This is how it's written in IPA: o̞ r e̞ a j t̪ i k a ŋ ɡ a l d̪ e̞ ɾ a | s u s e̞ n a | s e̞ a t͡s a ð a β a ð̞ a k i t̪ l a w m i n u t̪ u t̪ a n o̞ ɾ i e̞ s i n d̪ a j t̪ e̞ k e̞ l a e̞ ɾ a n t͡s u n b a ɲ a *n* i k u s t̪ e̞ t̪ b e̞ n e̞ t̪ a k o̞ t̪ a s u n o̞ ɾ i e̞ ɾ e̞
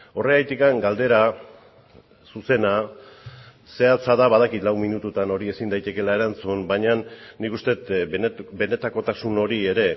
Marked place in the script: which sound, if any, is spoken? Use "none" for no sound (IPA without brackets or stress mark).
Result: nː